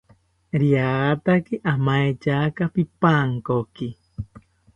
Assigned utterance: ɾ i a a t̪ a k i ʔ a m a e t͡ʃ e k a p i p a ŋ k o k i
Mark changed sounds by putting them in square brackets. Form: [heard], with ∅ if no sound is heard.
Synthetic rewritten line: ɾ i a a t̪ a k i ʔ a m a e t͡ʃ [a] k a p i p a ŋ k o k i